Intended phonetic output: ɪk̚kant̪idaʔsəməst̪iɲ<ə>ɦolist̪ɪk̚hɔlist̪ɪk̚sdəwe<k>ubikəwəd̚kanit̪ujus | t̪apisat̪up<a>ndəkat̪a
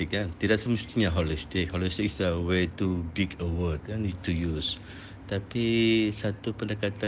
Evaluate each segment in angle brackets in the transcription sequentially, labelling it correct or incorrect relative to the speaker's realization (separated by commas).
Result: incorrect, incorrect, incorrect